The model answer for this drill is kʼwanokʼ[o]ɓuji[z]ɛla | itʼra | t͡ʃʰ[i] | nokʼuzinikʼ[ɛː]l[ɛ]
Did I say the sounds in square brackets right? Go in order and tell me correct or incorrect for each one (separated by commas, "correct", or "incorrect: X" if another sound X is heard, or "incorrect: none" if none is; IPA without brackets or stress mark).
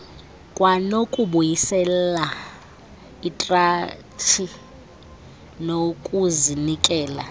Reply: incorrect: u, incorrect: s, correct, correct, incorrect: a